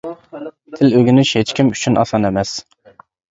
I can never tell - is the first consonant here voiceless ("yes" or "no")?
yes